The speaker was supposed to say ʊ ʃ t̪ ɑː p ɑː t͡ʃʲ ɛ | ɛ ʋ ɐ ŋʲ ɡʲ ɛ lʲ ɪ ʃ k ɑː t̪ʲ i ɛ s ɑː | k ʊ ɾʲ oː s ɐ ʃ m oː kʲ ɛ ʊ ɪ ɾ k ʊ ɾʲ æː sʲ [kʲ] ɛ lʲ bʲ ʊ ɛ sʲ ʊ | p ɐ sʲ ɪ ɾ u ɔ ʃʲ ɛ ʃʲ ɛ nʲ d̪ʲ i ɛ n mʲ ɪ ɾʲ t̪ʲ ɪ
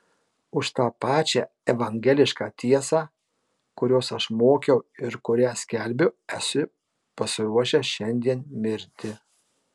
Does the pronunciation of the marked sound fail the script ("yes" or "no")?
no